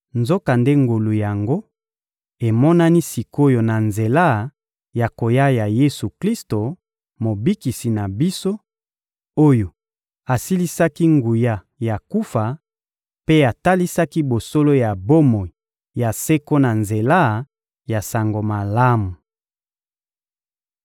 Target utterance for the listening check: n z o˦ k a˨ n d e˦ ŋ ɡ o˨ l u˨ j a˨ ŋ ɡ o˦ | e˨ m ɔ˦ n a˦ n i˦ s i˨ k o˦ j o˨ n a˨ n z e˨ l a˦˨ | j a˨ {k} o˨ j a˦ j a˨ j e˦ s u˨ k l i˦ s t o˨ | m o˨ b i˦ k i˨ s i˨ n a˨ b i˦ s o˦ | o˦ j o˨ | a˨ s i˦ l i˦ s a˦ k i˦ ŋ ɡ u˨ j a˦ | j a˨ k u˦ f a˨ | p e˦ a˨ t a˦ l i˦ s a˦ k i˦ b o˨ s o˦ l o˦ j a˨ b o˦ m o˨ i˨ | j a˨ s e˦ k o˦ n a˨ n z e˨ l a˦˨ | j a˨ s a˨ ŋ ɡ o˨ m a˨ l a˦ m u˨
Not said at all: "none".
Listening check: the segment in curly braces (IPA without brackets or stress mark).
k